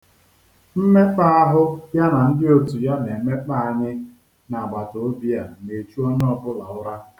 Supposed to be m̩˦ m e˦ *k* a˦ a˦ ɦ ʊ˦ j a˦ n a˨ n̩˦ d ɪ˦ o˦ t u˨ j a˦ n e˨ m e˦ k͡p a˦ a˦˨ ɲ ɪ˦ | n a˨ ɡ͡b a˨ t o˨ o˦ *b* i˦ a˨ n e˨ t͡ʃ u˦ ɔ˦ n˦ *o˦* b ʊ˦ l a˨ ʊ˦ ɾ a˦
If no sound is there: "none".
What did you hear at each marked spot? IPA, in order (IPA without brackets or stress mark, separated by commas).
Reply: k͡p, b, ɔ˦